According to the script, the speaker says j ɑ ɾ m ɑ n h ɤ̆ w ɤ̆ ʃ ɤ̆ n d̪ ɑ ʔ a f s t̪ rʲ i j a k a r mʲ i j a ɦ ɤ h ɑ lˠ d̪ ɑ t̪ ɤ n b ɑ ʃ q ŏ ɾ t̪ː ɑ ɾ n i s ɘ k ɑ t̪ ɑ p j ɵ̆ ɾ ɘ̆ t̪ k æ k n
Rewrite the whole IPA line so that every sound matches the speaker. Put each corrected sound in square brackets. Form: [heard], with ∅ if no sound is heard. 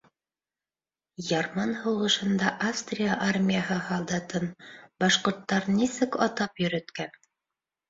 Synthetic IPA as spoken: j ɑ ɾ m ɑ n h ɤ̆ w ɤ̆ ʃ ɤ̆ n d̪ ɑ ʔ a f s t̪ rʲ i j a [ʔ] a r mʲ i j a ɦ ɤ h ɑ lˠ d̪ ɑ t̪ ɤ n b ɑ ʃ q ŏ ɾ t̪ː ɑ ɾ n i s ɘ k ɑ t̪ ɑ p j ɵ̆ ɾ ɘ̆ t̪ k æ [∅] n

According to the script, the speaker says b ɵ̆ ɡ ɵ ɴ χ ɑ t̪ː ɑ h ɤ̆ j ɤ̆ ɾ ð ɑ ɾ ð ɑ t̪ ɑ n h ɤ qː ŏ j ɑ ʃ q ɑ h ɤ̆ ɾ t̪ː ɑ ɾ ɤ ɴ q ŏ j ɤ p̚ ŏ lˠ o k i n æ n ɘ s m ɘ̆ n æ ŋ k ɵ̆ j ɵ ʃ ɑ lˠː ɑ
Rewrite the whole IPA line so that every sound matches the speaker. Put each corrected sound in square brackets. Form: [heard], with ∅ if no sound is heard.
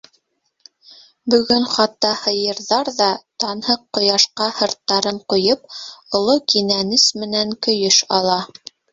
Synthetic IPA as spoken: b ɵ̆ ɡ ɵ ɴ χ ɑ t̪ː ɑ h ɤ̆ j ɤ̆ ɾ ð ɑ ɾ ð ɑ t̪ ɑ n h ɤ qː ŏ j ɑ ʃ q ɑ h ɤ̆ ɾ t̪ː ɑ ɾ ɤ ɴ q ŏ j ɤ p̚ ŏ lˠ o k i n æ n ɘ s m ɘ̆ n æ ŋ k ɵ̆ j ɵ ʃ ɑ [lˠ] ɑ

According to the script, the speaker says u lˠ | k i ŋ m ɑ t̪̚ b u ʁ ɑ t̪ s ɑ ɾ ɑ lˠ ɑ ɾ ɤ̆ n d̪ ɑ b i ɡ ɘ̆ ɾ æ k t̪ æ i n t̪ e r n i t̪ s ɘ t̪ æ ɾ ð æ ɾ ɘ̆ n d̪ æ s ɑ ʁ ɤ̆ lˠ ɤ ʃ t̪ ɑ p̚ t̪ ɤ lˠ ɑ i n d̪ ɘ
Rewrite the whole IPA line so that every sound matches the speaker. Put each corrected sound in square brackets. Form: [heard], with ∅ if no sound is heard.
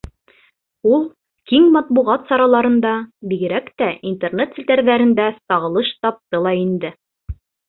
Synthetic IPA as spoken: u lˠ | k i ŋ m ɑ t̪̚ b u ʁ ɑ t̪ s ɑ ɾ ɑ lˠ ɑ ɾ ɤ̆ n d̪ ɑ b i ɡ ɘ̆ ɾ æ k t̪ æ i n t̪ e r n [e] t̪ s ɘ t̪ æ ɾ ð æ ɾ ɘ̆ n d̪ æ s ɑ ʁ ɤ̆ lˠ ɤ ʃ t̪ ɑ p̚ t̪ ɤ lˠ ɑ i n d̪ ɘ

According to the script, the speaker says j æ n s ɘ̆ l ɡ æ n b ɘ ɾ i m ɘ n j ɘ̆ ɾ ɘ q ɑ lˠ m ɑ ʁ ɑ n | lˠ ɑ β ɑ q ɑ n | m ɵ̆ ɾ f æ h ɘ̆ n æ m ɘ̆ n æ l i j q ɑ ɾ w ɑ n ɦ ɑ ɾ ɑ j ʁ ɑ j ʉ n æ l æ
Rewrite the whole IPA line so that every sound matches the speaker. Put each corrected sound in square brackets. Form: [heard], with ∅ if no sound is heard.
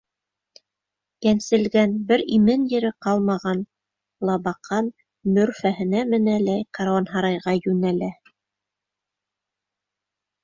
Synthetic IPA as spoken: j æ n s ɘ̆ l ɡ æ n b ɘ ɾ i m ɘ n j ɘ̆ ɾ ɘ q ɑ lˠ m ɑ ʁ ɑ n | lˠ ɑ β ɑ q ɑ n | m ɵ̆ ɾ f æ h ɘ̆ n æ m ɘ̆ n æ l [æ] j q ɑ ɾ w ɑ n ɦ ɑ ɾ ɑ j ʁ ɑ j ʉ n æ l æ

